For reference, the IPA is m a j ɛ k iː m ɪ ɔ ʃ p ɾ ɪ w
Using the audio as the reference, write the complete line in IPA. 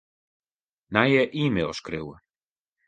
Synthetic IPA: n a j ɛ ʔ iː m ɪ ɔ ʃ k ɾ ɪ w